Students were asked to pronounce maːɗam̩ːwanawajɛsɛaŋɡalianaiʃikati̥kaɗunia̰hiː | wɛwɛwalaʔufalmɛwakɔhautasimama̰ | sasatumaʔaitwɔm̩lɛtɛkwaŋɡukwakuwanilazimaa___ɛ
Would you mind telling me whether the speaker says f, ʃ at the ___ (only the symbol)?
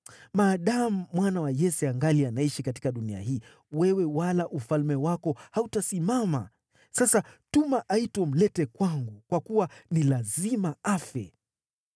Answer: f